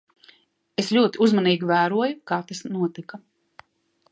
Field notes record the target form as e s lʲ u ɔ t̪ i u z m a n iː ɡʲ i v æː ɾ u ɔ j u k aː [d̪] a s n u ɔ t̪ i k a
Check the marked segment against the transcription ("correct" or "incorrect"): incorrect